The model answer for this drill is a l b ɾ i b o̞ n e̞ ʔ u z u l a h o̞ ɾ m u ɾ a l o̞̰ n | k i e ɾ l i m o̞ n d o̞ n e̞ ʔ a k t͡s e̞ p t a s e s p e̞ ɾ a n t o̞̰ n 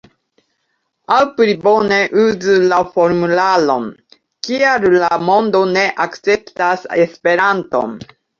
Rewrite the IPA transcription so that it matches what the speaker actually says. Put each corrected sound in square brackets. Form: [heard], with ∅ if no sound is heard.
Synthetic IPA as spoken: a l [p] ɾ i b o̞ n e̞ ʔ u z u l a [f] o̞ ɾ m u [l] a l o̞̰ n | k i [a] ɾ l [a] m o̞ n d o̞ n e̞ ʔ a k t͡s e̞ p t a s e s p e̞ ɾ a n t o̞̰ n